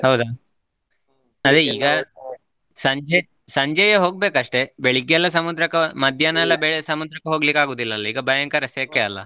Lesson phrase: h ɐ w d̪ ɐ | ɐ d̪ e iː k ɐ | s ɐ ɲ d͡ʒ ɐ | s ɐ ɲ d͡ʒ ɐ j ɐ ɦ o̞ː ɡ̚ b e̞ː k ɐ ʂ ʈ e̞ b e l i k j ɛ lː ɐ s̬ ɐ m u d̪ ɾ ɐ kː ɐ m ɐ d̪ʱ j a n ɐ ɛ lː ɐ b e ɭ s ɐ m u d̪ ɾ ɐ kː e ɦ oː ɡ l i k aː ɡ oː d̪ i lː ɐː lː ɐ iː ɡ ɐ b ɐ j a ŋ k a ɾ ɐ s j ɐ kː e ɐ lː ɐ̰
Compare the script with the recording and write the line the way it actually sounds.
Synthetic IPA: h ɐ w d̪ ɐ | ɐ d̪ e iː ɡ ɐ | s ɐ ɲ d͡ʒ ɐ | s ɐ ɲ d͡ʒ ɐ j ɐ ɦ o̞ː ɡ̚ b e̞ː k ɐ ʂ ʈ e̞ b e ɭ i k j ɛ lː ɐ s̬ ɐ m u d̪ ɾ ɐ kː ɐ m ɐ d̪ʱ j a n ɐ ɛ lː ɐ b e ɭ s ɐ m u d̪ ɾ ɐ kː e ɦ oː ɡ l i k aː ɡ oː d̪ i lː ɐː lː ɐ iː ɡ ɐ b ɐ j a ŋ k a ɾ ɐ s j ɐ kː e ɐ lː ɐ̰